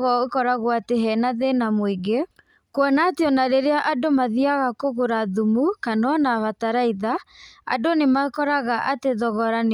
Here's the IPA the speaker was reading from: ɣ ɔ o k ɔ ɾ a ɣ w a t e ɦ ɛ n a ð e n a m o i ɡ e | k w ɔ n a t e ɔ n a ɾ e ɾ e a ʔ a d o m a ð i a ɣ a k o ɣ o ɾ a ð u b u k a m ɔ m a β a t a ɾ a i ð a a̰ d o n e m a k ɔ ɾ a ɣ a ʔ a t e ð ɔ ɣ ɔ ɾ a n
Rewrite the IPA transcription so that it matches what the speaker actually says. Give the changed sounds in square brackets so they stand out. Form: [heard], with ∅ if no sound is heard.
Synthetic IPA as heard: ɣ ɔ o k ɔ ɾ a ɣ w a t e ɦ ɛ n a ð e n a m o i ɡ e | k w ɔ n a t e ɔ n a ɾ e ɾ e a ʔ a d o m a ð i a ɣ a k o ɣ o ɾ a ð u [m] u k a [n] ɔ [n] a β a t a ɾ a i ð a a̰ d o n e m a k ɔ ɾ a ɣ a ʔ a t e ð ɔ ɣ ɔ ɾ a n

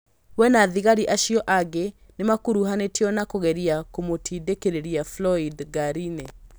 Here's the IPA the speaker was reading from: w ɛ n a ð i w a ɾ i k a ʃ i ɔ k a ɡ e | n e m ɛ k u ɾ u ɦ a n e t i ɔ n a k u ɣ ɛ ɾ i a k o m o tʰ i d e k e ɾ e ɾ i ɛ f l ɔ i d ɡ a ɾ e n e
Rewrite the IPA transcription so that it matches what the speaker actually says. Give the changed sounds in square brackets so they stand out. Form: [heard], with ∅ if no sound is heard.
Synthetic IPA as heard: w ɛ n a ð i [ɣ] a ɾ i [ʔ] a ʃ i ɔ [ʔ] a ɡ e | n e m [a] k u ɾ u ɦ a n e t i ɔ n a k [o] ɣ ɛ ɾ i a k o m o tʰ i d e k e ɾ e ɾ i [a] f l ɔ i d ɡ a ɾ [i] n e

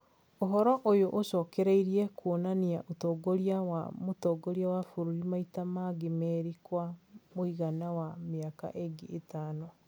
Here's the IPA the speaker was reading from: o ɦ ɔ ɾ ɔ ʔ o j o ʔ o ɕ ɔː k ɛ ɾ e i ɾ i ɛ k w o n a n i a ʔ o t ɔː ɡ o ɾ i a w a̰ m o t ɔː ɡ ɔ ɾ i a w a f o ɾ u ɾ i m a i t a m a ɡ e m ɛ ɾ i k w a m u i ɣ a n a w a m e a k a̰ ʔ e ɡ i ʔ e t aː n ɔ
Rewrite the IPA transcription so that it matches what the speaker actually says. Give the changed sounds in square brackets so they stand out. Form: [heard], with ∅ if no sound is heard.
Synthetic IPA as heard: o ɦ ɔ ɾ ɔ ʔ o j o ʔ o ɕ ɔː k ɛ ɾ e i ɾ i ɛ k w o n a n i a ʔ o t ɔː ɡ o ɾ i a w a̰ m o t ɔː ɡ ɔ ɾ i a w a f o ɾ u ɾ i m a i t a m a ɡ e m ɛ ɾ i k w a m [o] i ɣ a n a w a m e a k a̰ ʔ e ɡ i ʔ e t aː n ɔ

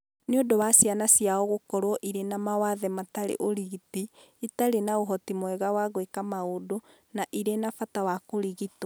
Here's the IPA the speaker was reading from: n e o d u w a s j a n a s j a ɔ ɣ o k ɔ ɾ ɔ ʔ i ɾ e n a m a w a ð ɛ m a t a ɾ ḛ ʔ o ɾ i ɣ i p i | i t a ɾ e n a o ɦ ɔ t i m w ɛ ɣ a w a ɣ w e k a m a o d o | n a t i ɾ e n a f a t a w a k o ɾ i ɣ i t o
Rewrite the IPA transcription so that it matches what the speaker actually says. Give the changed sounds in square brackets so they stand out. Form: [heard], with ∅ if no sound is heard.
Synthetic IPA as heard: n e o d [o] w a s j a n a s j a ɔ ɣ o k ɔ ɾ ɔ ʔ i ɾ e n a m a w a ð ɛ m a t a ɾ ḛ ʔ o ɾ i ɣ i [t] i | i t a ɾ e n a o ɦ ɔ t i m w ɛ ɣ a w a ɣ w e k a m a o d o | n a [ʔ] i ɾ e n a f a t a w a k o ɾ i ɣ i t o

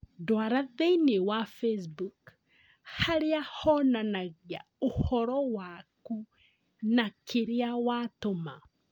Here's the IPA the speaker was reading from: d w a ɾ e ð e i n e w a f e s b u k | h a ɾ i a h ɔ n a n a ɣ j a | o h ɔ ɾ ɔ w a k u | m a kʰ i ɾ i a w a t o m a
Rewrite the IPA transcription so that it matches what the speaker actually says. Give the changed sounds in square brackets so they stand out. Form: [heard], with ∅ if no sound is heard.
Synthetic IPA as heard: d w a ɾ [a] ð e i n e w a f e s b u k | h a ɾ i a h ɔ n a n a ɣ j a | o h ɔ ɾ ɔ w a k u | [n] a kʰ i ɾ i a w a t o m a

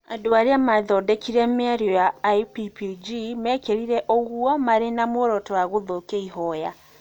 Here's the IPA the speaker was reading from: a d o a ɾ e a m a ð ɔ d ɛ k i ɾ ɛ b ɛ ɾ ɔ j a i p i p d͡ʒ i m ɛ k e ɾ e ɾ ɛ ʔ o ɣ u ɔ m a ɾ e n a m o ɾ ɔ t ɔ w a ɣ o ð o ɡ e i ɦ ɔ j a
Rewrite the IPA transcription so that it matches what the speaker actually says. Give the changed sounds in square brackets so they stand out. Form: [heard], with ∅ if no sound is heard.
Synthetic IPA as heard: a d o a ɾ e a m a ð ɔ d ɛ k i ɾ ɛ [m] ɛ ɾ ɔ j a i p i p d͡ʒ i m ɛ k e ɾ [i] ɾ ɛ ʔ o ɣ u ɔ m a ɾ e n a m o ɾ ɔ t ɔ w a ɣ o ð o [k] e i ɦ ɔ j a

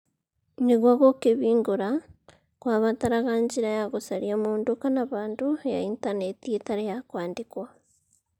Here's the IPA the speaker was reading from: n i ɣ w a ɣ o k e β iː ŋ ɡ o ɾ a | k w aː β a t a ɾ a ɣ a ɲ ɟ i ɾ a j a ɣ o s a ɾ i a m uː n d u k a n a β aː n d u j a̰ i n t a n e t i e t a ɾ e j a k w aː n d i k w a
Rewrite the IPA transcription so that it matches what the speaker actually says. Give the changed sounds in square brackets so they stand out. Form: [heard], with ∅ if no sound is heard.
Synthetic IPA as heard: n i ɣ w a ɣ o k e β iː ŋ ɡ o ɾ a | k w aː β a t a ɾ a ɣ a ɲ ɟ i ɾ a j a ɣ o s a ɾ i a m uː n d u k a n a β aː n d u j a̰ i n t a n e t i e t a ɾ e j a k w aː n d i k w a

